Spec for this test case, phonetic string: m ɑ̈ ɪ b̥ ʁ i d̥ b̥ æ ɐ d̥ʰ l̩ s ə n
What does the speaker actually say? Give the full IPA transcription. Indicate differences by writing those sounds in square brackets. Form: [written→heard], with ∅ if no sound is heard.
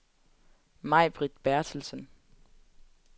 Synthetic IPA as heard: m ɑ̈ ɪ b̥ ʁ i d̥ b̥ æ ɐ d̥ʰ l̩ s ə n